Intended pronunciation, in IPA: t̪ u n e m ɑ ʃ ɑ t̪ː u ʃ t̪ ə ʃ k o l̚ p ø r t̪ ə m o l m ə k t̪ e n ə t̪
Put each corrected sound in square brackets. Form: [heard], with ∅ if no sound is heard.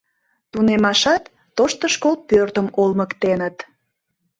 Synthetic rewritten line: t̪ u n e m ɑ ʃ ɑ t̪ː [o] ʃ t̪ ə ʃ k o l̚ p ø r t̪ ə m o l m ə k t̪ e n ə t̪